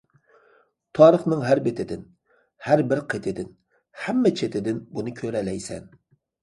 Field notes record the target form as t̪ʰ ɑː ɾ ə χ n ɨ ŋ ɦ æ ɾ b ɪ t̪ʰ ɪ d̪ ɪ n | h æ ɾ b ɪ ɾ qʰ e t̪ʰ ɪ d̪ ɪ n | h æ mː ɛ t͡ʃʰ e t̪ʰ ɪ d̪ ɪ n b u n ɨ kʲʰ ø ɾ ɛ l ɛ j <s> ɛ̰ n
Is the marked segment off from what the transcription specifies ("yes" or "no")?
no